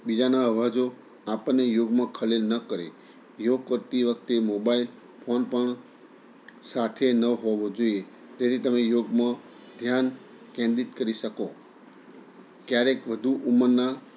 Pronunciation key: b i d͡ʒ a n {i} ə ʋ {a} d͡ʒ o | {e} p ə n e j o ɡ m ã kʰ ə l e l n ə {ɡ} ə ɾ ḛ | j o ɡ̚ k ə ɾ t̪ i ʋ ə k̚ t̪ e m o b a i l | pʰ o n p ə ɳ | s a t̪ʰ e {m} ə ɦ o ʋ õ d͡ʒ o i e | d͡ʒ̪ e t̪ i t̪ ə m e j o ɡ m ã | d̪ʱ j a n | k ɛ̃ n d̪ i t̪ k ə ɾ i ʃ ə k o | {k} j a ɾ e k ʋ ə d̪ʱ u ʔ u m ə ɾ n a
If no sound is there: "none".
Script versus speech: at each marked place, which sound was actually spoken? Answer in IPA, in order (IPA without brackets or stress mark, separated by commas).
a, a, a, k, n, k